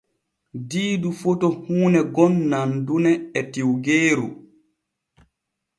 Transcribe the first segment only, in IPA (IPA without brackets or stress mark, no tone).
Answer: d